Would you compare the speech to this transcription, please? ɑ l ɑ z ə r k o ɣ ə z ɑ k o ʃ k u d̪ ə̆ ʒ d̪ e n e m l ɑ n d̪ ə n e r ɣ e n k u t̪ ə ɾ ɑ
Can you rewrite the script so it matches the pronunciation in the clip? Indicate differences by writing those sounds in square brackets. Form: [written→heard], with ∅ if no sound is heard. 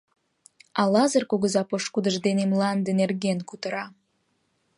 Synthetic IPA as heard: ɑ l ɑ z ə r k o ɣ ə z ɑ [k→p] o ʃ k u d̪ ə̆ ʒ d̪ e n e m l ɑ n d̪ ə n e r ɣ e n k u t̪ ə ɾ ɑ